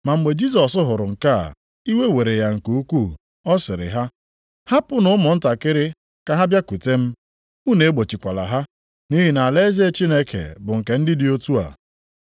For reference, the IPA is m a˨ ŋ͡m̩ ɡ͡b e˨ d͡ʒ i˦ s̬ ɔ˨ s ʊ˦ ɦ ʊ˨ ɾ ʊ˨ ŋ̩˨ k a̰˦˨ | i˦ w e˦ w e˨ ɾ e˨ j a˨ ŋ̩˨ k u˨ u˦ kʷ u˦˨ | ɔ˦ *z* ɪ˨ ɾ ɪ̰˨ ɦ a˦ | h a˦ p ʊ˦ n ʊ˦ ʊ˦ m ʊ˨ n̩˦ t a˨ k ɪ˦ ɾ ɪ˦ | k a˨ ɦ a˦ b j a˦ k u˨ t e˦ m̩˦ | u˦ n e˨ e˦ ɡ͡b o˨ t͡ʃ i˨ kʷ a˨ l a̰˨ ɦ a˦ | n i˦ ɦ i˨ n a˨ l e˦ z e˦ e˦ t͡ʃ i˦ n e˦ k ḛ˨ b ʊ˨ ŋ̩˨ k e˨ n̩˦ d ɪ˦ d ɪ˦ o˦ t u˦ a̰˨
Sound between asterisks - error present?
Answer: yes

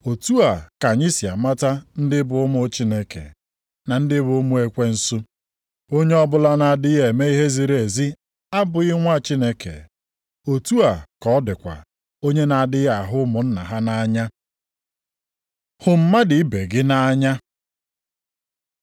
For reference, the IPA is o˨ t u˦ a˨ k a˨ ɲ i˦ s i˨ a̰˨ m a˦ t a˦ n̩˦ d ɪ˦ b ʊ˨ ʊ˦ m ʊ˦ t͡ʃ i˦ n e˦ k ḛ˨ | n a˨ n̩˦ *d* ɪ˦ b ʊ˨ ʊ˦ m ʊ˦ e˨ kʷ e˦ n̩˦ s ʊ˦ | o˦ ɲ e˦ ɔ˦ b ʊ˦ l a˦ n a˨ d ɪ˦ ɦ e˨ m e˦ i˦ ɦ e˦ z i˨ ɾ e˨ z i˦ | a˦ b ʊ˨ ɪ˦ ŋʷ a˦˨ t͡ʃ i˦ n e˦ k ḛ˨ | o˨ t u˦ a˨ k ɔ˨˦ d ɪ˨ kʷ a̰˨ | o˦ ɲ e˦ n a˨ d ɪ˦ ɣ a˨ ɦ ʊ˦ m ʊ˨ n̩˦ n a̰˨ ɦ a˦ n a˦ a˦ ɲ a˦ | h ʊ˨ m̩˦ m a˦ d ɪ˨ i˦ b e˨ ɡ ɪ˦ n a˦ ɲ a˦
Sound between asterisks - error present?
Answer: no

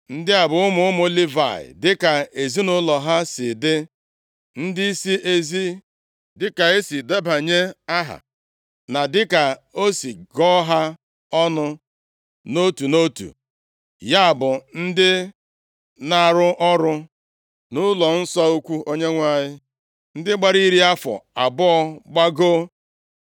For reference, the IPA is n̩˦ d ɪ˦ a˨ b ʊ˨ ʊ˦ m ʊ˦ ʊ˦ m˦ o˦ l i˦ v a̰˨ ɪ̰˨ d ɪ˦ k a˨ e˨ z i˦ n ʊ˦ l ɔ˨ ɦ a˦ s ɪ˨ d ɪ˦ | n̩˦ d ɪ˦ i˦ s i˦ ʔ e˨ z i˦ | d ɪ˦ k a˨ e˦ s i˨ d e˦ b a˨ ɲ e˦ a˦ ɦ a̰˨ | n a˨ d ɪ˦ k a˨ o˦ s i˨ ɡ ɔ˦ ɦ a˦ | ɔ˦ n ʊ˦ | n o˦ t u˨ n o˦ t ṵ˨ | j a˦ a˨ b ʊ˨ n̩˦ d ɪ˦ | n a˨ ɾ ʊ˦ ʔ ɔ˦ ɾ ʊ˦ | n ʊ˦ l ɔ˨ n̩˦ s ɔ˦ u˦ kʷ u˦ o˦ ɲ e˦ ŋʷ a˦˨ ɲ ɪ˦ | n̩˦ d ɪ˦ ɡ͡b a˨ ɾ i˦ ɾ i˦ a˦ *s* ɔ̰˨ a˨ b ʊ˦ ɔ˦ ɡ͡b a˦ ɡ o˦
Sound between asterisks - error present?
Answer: yes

